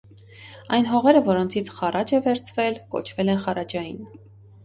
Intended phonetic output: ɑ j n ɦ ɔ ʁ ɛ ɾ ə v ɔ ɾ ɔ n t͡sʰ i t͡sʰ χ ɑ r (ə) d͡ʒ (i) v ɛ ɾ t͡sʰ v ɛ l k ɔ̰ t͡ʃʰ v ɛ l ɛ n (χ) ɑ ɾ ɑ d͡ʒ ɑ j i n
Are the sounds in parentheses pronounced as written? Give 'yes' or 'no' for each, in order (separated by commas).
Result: no, no, yes